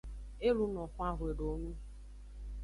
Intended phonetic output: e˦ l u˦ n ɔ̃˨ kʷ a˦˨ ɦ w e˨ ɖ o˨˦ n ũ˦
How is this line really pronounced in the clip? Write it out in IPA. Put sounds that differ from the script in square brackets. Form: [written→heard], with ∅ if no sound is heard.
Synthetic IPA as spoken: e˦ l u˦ n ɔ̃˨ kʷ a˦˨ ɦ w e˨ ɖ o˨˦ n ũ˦